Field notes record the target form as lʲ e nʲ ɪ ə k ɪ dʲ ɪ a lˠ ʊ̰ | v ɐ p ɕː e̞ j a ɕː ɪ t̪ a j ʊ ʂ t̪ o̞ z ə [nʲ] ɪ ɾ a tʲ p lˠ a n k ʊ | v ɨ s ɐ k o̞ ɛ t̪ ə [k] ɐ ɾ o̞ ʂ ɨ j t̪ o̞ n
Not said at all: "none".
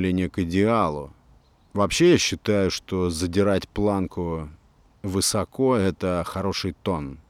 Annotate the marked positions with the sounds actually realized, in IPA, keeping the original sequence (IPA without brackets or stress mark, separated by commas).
dʲ, x